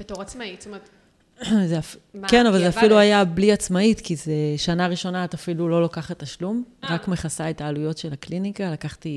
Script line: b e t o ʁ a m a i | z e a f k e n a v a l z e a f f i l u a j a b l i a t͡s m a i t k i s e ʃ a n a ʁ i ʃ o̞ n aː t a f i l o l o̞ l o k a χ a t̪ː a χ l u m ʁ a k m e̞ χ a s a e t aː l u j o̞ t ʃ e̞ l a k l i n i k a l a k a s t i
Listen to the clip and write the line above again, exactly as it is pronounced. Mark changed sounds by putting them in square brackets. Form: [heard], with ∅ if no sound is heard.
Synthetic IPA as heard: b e t o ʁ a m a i | z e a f k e n a v a l z e a f f i l u a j a b l i a t͡s m a i t k i [z] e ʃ a n a ʁ i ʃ o̞ n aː t a f i l [u] l o̞ l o k a χ a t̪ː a [ʃ] l u m ʁ a k m e̞ χ a s a e t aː l u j o̞ t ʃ e̞ l a k l i n i k a l a k a [χ] t i